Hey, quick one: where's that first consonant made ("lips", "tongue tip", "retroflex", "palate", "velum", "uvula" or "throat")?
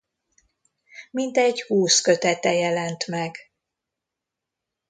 lips